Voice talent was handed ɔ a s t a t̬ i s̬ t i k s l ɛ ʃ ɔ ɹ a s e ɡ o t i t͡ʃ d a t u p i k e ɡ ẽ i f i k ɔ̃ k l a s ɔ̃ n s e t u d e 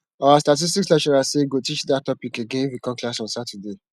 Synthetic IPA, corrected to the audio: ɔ a s t a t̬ i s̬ t i k s l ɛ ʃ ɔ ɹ a s e ɡ o t i t͡ʃ d a t ɔ p i k e ɡ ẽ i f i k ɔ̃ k l a s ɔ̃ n s a t u d e